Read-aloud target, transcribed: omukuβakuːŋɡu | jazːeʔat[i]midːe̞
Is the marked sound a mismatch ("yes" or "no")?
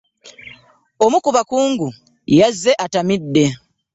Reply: yes